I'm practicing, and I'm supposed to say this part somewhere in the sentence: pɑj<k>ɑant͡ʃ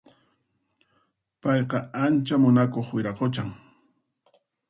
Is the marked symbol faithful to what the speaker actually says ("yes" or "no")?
no